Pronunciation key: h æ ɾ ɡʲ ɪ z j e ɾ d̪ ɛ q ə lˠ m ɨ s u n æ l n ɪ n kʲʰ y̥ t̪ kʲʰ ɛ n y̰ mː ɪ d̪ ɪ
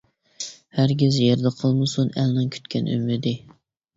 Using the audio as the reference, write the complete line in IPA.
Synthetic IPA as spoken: h æ ɾ ɡʲ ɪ z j e ɾ d̪ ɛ qʰ ə lˠ m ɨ s u n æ l n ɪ ŋ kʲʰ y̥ t̪ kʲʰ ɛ n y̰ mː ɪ d̪ ɪ